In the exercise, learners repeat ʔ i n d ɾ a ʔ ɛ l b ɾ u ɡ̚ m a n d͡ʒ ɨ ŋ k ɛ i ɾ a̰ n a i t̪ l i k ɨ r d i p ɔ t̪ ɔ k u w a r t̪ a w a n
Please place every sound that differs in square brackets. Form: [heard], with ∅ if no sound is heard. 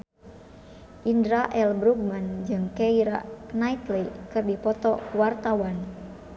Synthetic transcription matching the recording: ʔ i n d ɾ a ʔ ɛ l b ɾ u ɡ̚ m a n d͡ʒ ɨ ŋ k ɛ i ɾ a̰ n a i t̪ l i k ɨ r d i p ɔ t̪ ɔ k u w a r t̪ a w a n